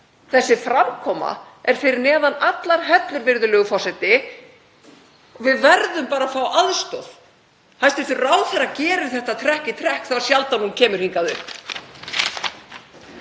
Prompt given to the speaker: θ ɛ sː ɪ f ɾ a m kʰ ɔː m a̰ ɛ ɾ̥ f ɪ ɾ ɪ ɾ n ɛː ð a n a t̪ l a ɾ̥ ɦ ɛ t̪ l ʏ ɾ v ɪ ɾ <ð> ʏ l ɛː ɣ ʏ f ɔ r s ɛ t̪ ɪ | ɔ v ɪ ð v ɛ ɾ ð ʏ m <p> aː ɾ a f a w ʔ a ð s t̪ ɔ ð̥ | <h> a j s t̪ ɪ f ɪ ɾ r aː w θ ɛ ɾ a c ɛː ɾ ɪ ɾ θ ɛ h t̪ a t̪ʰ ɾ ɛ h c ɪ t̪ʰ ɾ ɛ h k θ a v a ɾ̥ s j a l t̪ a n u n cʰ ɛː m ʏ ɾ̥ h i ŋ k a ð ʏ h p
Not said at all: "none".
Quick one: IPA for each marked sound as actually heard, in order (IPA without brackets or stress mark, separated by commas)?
ð, p, h